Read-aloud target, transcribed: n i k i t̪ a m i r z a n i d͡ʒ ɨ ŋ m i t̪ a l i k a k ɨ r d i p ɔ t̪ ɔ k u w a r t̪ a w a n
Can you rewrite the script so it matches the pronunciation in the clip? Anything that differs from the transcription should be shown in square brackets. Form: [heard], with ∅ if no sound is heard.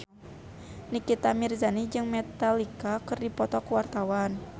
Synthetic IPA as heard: n i k i t̪ a m i r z a n i d͡ʒ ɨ ŋ m [ɛ] t̪ a l i k a k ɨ r d i p ɔ t̪ ɔ k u w a r t̪ a w a n